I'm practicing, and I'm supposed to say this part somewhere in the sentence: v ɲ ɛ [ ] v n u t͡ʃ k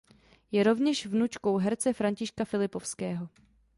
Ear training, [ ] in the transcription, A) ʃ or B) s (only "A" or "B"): A